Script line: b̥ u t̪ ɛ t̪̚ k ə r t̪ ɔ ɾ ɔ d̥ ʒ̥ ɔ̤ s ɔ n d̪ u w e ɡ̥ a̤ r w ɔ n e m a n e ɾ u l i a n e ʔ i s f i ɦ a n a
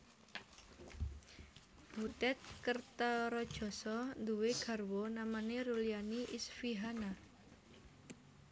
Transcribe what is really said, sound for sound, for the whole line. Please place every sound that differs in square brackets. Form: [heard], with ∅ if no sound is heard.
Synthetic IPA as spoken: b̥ u t̪ ɛ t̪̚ k ə r t̪ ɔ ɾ ɔ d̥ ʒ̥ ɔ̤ s ɔ n d̪ u w e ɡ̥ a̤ r w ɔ n [a] m a n e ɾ u l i a n [i] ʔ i s f i ɦ a n a